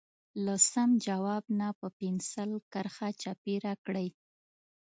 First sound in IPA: l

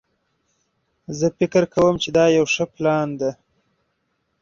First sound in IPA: z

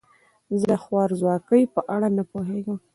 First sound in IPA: z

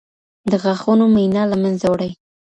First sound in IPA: d̪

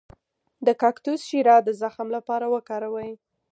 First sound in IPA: d̪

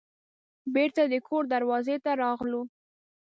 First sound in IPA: b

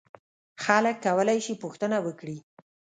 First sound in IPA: x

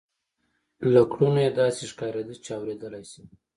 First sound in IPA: l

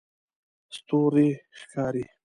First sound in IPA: s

